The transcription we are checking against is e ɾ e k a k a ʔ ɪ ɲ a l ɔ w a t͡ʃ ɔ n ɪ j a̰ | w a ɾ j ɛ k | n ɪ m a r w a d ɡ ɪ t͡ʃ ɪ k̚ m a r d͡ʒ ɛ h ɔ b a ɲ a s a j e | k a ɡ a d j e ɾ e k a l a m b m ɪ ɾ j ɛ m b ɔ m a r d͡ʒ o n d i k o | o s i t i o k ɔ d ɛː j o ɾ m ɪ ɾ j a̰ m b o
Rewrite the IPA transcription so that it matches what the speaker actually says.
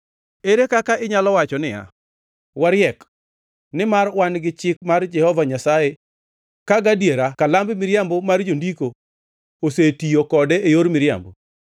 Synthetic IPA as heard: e ɾ e k a k a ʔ ɪ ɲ a l ɔ w a t͡ʃ ɔ n ɪ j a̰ | w a ɾ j ɛ k | n ɪ m a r w a n ɡ ɪ t͡ʃ ɪ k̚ m a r d͡ʒ ɛ h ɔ v a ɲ a s a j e | k a ɡ a d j e ɾ a k a l a m b m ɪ ɾ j a m b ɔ m a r d͡ʒ o n d i k o | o s e t i o k ɔ d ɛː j o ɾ m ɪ ɾ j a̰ m b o